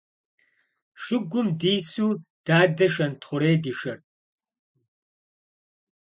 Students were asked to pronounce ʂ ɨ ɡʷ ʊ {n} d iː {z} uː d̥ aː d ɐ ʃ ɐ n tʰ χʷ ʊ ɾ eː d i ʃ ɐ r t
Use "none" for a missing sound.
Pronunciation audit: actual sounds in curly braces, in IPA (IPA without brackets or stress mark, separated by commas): m, s